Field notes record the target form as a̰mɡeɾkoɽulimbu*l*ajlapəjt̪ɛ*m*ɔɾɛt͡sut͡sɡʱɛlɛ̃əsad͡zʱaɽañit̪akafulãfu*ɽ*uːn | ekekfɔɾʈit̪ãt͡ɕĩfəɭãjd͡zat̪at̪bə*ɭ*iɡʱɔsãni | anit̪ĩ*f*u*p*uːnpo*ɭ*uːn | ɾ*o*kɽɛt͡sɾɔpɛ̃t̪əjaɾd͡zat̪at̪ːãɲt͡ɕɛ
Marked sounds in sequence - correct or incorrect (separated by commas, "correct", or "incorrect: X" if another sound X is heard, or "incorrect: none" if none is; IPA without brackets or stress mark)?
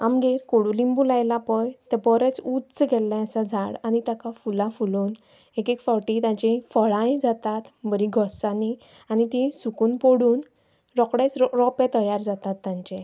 correct, incorrect: b, incorrect: l, incorrect: ɾ, incorrect: s, incorrect: k, incorrect: ɽ, incorrect: ɔ